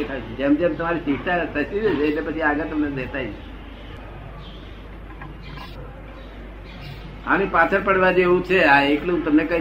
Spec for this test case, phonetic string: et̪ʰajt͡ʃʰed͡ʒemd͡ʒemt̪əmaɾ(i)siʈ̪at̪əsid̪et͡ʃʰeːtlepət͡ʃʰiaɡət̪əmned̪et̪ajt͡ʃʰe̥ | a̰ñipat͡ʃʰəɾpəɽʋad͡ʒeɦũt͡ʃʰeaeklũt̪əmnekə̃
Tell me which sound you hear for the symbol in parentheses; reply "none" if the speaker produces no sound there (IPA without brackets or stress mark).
i